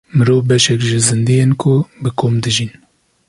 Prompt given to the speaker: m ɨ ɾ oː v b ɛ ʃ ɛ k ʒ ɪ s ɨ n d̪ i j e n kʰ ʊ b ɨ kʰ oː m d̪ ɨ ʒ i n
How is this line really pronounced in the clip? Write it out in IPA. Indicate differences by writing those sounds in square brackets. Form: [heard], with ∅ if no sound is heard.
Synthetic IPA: m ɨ ɾ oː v b ɛ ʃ ɛ k ʒ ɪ [z] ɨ n d̪ i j e n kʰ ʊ b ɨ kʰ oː m d̪ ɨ ʒ i n